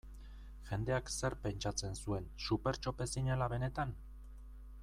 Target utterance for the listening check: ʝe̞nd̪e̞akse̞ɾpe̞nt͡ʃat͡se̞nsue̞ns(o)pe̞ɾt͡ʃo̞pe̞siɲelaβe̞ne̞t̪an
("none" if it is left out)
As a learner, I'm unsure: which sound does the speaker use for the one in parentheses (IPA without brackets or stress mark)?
u